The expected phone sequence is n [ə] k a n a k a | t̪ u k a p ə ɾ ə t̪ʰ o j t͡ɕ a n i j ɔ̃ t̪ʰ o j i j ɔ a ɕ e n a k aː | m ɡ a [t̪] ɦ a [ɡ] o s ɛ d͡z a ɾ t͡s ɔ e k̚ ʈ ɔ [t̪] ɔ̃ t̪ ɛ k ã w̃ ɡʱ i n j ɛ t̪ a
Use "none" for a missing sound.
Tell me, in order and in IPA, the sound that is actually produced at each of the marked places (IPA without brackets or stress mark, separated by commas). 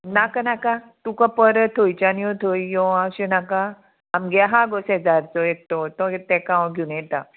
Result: a, none, ɡ, t̪